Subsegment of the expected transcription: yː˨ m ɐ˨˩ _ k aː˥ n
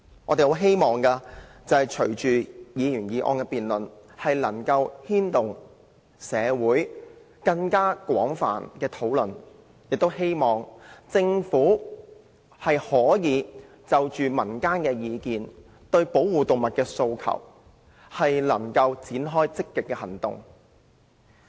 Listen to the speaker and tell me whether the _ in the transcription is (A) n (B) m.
A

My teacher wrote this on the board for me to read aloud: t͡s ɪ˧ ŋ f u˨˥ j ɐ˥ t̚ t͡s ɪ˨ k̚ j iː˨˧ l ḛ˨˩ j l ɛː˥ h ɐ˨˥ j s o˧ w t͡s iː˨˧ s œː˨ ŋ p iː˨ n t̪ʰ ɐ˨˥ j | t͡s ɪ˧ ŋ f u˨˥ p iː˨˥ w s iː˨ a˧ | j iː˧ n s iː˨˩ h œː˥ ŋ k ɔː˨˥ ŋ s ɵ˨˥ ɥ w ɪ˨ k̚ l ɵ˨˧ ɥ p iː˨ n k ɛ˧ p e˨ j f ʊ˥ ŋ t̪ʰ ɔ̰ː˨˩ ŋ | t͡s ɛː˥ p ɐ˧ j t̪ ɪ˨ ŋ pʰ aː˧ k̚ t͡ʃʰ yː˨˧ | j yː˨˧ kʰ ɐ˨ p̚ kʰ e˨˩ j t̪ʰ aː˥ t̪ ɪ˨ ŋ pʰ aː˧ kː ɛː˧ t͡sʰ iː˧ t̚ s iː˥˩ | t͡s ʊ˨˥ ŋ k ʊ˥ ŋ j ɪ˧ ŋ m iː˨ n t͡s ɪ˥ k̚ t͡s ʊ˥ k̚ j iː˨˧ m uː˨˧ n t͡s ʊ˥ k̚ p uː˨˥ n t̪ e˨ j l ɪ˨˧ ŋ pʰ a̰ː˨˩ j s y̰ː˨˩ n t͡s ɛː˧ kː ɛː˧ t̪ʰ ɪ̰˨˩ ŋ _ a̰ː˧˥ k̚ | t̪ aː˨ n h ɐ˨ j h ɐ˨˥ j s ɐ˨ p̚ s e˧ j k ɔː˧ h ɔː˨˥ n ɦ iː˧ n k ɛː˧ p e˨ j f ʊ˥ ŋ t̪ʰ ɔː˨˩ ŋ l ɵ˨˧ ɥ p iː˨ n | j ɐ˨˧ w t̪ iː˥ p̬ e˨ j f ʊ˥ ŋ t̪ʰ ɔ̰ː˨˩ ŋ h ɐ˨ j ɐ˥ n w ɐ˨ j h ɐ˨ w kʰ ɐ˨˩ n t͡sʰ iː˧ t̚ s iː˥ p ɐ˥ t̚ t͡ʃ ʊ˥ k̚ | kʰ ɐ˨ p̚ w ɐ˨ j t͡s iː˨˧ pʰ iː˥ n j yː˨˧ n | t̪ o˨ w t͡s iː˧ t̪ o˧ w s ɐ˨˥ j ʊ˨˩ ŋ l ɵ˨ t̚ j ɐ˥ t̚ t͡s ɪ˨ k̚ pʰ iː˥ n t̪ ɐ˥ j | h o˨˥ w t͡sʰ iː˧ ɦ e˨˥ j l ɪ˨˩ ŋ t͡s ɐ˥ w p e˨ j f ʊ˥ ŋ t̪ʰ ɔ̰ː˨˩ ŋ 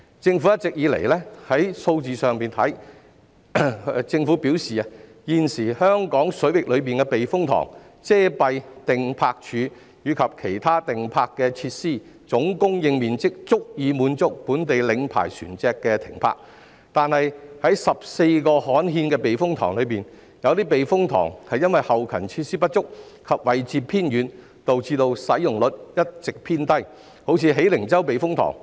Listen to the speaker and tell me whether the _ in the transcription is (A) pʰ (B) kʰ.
A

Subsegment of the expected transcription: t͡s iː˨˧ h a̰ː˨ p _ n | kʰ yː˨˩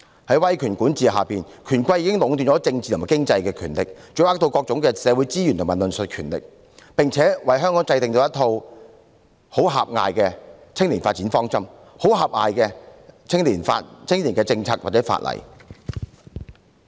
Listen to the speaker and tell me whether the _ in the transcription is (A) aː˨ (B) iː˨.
B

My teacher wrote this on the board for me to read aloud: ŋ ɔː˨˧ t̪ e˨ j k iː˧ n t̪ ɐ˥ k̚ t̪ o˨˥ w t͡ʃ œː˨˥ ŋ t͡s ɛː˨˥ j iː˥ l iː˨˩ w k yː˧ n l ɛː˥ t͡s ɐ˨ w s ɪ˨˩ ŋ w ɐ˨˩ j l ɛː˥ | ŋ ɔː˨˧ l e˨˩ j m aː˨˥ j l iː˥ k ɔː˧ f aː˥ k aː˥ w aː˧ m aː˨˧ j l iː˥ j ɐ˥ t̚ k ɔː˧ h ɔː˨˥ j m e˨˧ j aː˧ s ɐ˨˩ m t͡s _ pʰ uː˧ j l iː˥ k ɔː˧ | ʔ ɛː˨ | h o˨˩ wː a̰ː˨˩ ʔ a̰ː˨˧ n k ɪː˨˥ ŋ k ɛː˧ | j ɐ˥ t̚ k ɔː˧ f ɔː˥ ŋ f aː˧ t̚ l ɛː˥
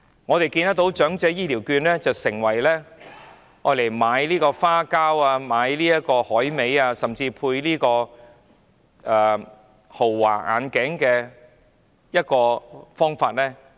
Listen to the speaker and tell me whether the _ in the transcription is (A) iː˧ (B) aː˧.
A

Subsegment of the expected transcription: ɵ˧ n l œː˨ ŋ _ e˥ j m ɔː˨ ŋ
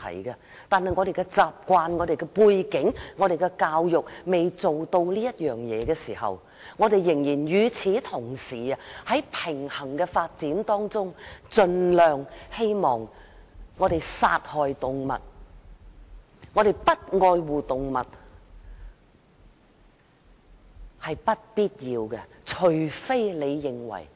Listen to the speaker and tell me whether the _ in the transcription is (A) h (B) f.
A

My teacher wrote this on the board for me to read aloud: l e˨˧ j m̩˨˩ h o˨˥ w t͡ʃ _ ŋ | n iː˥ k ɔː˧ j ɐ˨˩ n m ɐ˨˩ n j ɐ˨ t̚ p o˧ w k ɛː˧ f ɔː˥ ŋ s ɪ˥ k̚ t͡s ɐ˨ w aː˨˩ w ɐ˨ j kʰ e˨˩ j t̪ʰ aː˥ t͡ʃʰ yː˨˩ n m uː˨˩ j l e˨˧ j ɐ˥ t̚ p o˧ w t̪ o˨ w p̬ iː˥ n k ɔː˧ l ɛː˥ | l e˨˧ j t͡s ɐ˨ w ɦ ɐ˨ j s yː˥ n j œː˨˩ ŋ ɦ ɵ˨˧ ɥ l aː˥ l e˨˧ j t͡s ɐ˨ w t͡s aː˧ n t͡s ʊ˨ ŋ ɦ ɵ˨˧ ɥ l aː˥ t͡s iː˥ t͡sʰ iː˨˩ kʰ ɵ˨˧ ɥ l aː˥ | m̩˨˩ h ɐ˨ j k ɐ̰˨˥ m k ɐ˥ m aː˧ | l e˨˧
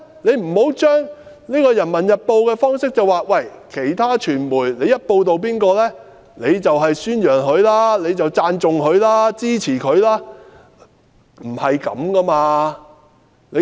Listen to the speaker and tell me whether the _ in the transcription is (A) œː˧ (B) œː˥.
B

